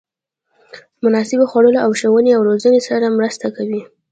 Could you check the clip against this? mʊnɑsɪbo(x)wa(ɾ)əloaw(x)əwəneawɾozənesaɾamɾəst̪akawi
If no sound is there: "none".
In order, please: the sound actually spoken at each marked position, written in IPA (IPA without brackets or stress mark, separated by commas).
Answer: x, ɽ, ʃ